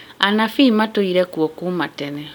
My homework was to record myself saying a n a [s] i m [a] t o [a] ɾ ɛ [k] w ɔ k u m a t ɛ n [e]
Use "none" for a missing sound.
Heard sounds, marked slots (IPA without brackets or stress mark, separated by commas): f, a, i, k, ɛ